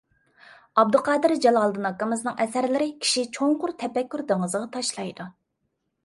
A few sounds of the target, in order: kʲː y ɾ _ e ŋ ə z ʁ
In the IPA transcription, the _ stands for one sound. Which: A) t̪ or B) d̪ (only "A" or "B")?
B